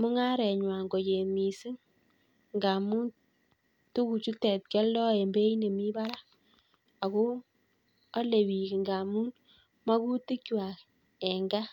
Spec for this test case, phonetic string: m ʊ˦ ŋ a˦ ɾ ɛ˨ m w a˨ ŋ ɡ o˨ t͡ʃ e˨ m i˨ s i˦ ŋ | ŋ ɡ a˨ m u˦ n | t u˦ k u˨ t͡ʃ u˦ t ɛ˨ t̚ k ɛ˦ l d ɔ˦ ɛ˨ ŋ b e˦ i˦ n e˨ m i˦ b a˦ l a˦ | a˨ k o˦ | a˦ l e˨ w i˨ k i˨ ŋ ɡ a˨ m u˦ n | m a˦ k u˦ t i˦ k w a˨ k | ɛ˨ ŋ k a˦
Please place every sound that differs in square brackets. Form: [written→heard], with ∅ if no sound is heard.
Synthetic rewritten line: m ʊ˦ ŋ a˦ ɾ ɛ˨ [m→ɲ] w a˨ ŋ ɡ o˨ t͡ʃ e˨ m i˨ s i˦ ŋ | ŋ ɡ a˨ m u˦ n | t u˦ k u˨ t͡ʃ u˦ t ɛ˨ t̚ k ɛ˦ l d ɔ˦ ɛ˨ [ŋ→m] b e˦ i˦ n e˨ m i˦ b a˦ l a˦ | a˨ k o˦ | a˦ l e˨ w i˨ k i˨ ŋ ɡ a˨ m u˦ n | m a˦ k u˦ t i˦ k w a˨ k | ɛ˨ ŋ [k→ɡ] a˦